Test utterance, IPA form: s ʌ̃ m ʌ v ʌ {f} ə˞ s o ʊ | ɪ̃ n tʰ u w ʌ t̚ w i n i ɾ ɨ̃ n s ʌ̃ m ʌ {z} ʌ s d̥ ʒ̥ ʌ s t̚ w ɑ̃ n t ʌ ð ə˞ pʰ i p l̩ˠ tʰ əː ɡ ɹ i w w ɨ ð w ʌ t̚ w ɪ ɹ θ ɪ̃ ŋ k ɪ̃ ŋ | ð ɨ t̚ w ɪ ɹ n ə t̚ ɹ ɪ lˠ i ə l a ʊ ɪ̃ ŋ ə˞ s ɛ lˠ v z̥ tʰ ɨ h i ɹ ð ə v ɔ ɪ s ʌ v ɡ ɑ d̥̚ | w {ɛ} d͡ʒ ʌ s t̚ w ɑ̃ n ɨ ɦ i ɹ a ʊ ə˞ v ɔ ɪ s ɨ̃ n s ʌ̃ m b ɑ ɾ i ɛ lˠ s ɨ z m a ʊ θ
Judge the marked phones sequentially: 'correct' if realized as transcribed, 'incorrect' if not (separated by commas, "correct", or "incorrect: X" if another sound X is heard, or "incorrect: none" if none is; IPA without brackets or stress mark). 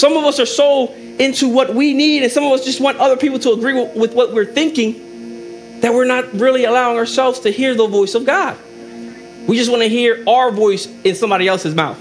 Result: incorrect: s, incorrect: v, incorrect: i